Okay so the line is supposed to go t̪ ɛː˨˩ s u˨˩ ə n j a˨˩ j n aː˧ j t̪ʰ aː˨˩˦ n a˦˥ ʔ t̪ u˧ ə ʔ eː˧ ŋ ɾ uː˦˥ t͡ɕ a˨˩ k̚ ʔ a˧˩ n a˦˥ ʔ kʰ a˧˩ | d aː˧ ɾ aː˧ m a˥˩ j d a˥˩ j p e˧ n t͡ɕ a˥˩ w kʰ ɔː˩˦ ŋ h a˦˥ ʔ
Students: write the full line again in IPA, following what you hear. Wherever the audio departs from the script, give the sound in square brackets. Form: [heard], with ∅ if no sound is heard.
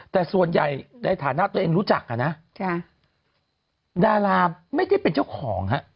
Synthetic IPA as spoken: t̪ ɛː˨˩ s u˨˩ ə n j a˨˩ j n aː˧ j t̪ʰ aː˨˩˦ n a˦˥ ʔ t̪ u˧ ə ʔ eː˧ ŋ ɾ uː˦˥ t͡ɕ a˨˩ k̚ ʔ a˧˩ n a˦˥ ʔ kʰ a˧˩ | d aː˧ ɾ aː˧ m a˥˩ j d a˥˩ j p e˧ n t͡ɕ a˥˩ w kʰ ɔː˩˦ ŋ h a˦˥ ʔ